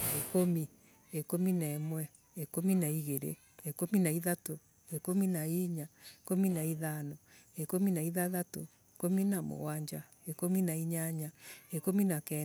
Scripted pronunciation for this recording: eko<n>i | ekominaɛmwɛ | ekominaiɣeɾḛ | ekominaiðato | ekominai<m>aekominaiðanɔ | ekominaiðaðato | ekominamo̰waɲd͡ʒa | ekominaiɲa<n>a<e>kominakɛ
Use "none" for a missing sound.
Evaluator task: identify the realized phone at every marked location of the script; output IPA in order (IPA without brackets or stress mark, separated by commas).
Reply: m, ɲ, ɲ, e